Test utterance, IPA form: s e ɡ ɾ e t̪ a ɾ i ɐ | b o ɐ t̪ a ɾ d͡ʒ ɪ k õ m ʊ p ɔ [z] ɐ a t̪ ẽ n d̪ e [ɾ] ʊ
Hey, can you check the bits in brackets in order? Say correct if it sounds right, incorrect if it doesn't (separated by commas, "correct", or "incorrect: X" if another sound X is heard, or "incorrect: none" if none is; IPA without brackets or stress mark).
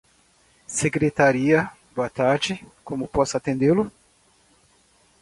incorrect: s, incorrect: l